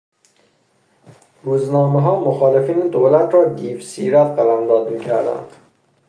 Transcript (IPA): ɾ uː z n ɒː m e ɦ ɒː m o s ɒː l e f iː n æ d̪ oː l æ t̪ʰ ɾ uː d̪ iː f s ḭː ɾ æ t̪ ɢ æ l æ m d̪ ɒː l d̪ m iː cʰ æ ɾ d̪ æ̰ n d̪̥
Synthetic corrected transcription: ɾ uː z n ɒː m e ɦ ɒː m o x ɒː l e f iː n e d̪ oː l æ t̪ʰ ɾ ɒː d̪ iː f s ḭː ɾ æ t̪ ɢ æ l æ m d̪ ɒː d̪ m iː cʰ æ ɾ d̪ æ̰ n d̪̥